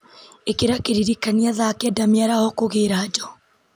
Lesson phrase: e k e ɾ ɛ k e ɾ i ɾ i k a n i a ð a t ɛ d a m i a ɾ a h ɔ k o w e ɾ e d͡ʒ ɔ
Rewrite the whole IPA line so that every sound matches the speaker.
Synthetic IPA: e k e ɾ a k e ɾ i ɾ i k a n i a ð a k ɛ d a m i a ɾ a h ɔ k o ɣ e ɾ a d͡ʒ ɔ